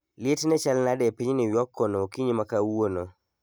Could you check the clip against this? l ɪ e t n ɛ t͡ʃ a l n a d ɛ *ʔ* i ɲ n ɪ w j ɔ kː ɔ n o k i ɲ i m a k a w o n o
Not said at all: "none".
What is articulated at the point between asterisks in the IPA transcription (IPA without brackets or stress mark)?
p